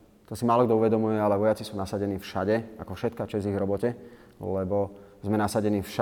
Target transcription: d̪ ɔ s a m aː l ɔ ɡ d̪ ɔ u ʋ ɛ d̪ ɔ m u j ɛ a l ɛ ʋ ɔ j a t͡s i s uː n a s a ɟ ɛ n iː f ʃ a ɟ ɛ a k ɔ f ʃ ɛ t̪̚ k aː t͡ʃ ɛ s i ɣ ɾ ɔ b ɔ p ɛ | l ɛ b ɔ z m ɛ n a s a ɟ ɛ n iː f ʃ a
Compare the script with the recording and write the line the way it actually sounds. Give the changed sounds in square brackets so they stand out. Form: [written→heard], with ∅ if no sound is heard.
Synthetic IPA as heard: [d̪→t̪] ɔ s [a→i] m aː l ɔ ɡ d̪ ɔ u ʋ ɛ d̪ ɔ m u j ɛ a l ɛ ʋ ɔ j a t͡s i s uː n a s a ɟ ɛ n iː f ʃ a ɟ ɛ a k ɔ f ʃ ɛ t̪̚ k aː t͡ʃ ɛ [s→z] i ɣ ɾ ɔ b ɔ [p→c] ɛ | l ɛ b ɔ z m ɛ n a s a ɟ ɛ n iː f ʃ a